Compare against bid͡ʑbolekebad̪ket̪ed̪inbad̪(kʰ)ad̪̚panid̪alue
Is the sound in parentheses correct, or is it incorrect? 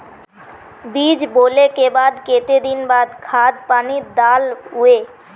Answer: correct